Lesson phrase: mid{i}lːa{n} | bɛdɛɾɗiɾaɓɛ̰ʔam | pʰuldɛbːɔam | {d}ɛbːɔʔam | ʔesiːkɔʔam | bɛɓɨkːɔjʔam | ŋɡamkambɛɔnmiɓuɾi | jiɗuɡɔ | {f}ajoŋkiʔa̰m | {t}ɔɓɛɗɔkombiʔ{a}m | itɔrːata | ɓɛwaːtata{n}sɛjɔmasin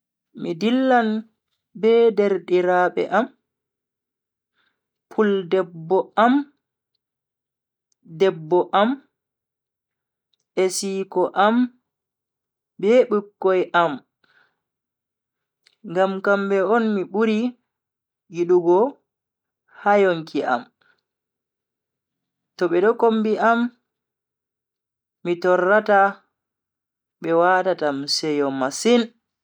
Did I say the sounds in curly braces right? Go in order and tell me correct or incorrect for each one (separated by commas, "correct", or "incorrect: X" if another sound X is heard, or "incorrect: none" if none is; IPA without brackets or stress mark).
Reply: correct, correct, correct, incorrect: h, correct, correct, incorrect: m